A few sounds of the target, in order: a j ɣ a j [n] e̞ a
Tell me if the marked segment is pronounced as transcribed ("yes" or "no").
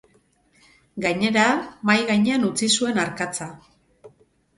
no